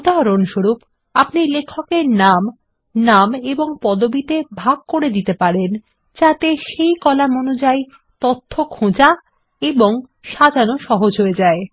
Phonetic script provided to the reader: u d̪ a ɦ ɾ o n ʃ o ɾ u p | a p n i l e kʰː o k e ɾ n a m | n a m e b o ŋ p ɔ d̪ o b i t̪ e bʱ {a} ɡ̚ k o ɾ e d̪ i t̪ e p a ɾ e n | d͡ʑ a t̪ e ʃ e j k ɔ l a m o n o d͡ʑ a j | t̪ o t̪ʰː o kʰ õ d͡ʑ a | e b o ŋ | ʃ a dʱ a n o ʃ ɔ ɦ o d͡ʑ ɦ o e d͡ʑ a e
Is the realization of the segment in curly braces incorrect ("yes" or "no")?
no